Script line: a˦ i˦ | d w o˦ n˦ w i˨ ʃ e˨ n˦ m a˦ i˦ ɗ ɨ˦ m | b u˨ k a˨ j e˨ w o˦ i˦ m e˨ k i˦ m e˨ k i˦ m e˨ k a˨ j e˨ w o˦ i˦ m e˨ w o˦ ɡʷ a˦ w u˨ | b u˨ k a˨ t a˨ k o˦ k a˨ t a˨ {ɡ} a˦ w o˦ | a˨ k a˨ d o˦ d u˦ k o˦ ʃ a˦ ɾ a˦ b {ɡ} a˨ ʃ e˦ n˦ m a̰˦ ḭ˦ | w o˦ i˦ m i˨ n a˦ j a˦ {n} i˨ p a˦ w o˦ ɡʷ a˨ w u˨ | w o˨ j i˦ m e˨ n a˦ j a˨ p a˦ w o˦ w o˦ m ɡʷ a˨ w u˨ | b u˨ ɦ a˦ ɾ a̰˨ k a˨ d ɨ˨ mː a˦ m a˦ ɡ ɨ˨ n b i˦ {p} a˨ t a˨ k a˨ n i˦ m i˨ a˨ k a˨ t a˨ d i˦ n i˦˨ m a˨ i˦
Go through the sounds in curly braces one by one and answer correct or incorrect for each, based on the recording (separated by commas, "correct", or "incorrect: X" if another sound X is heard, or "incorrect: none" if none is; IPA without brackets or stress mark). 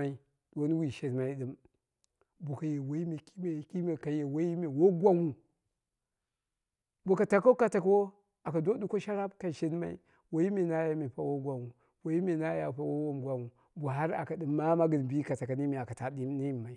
incorrect: k, incorrect: k, incorrect: m, incorrect: k